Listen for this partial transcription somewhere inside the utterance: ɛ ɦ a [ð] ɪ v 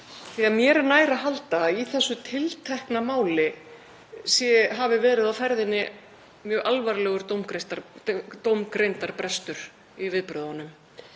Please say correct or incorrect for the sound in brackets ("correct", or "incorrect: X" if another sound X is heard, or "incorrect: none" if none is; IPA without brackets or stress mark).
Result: incorrect: v